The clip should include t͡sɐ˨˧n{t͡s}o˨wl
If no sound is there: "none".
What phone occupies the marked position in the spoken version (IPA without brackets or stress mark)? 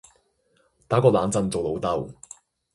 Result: t͡s